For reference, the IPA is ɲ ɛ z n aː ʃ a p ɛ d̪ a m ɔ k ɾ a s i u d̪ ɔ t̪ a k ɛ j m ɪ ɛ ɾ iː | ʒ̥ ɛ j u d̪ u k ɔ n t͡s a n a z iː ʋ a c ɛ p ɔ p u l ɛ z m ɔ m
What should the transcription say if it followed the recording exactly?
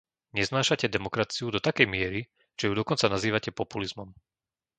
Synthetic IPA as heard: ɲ ɛ z n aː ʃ a c ɛ d̪ ɛ m ɔ k ɾ a t͡s i u d̪ ɔ t̪ a k ɛ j m ɪ ɛ ɾ i | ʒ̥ ɛ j u d̪ ɔ k ɔ n t͡s a n a z iː ʋ a c ɛ p ɔ p u l i z m ɔ m